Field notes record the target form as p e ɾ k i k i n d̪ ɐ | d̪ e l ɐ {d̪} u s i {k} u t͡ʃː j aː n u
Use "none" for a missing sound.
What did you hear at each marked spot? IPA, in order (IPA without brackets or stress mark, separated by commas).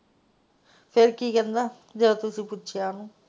t̪, p